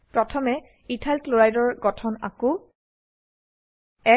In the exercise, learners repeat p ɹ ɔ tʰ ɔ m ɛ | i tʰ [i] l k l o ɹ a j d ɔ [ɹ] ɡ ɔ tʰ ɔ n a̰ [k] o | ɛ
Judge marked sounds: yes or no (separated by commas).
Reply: no, yes, yes